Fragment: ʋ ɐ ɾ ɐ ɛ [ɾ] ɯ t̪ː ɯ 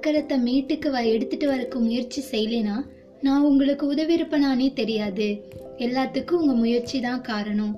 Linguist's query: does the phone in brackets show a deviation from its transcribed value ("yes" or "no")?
yes